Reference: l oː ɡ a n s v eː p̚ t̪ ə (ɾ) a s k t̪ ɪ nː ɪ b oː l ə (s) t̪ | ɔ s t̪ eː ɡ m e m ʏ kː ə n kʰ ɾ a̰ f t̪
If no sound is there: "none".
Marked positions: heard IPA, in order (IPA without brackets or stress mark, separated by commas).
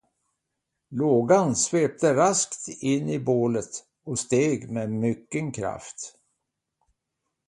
ɾ, none